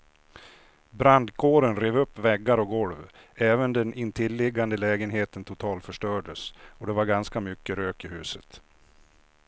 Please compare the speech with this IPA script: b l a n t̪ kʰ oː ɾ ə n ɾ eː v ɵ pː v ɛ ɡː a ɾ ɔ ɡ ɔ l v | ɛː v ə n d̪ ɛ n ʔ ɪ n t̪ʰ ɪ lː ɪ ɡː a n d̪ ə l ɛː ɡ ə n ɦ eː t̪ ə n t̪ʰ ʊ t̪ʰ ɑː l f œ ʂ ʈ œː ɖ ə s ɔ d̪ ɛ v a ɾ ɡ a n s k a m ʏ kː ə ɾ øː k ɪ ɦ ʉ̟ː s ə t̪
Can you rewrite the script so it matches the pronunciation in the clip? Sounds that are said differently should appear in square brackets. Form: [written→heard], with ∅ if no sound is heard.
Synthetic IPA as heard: b [l→ɾ] a n [t̪→d̪] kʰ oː ɾ ə n ɾ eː v ɵ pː v ɛ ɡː a ɾ ɔ ɡ ɔ l v | ɛː v ə n d̪ ɛ n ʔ ɪ n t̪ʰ ɪ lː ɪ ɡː a n d̪ ə l ɛː ɡ ə n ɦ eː t̪ ə n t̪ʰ ʊ t̪ʰ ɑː l f œ ʂ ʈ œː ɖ ə s ɔ d̪ ɛ v a ɾ ɡ a n s k a m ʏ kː ə ɾ øː k ɪ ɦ ʉ̟ː s ə t̪